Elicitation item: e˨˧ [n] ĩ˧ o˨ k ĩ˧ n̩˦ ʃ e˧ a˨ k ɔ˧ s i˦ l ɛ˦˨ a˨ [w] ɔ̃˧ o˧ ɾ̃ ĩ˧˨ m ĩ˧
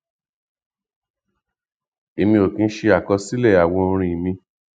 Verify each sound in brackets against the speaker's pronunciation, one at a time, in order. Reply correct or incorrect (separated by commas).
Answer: incorrect, correct